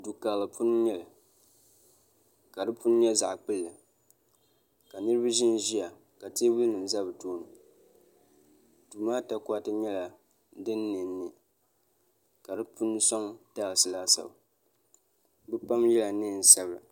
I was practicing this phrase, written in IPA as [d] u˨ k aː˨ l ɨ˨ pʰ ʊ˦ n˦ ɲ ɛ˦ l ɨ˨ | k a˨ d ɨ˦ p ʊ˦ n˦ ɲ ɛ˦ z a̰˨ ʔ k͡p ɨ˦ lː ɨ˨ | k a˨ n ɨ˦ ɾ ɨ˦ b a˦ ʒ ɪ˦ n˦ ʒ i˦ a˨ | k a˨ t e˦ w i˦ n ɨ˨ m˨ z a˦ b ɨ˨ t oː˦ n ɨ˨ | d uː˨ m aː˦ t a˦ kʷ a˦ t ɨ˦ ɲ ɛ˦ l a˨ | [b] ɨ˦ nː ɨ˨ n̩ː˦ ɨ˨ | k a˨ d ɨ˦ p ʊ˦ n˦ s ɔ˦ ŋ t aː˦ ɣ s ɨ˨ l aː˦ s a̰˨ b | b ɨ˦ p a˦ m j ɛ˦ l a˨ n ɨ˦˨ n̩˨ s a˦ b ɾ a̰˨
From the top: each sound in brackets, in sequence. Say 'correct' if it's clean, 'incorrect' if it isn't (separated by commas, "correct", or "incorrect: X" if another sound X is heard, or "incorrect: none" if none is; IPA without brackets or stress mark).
correct, incorrect: d